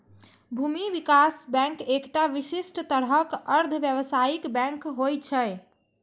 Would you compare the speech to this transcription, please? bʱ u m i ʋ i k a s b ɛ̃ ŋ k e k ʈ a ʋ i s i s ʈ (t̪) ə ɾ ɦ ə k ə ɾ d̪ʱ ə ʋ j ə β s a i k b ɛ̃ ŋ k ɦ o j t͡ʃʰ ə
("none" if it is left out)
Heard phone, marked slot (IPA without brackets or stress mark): t̪